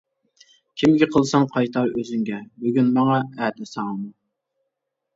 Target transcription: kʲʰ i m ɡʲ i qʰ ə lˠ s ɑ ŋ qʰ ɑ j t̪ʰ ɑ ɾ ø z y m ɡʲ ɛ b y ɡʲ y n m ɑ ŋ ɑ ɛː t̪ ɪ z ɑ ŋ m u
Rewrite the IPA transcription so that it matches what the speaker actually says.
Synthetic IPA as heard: kʲʰ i m ɡʲ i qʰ ə lˠ s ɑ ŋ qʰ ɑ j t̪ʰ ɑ ɾ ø z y ŋ ɡʲ ɛ b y ɡʲ y n m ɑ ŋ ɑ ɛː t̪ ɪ s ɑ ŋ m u